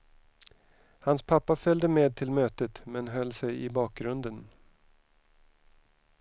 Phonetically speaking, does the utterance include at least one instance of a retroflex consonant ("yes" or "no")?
no